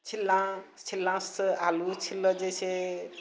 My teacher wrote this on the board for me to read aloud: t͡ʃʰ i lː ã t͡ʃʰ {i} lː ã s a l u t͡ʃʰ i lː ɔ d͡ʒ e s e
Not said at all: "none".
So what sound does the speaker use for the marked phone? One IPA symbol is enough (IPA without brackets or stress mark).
i